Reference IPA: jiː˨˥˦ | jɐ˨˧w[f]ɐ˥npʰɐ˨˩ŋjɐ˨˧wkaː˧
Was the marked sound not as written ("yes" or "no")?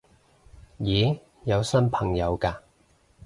yes